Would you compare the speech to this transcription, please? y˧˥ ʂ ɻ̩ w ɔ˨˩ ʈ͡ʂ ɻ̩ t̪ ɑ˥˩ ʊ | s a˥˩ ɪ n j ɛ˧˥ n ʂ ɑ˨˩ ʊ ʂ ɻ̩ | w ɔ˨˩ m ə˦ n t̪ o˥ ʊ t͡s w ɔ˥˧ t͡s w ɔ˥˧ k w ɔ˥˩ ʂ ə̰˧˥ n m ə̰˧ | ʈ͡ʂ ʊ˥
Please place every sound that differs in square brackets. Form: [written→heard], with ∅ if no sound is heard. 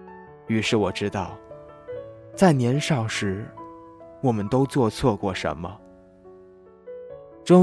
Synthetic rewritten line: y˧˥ ʂ ɻ̩ w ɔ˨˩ ʈ͡ʂ ɻ̩ t̪ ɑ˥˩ ʊ | [s→t͡s] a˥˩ ɪ n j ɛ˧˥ n ʂ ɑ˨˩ ʊ ʂ ɻ̩ | w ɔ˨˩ m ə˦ n t̪ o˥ ʊ t͡s w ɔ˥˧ [t͡s→t͡sʰ] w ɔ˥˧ k w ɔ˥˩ ʂ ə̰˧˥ n m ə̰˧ | ʈ͡ʂ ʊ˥